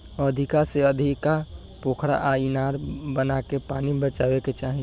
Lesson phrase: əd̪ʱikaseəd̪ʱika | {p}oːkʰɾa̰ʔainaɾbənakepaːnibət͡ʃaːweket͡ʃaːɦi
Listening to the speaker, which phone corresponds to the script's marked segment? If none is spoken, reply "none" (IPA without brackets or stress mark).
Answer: p